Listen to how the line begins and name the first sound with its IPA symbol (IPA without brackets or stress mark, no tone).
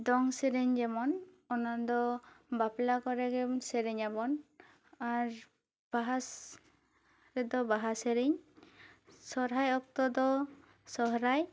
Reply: d̪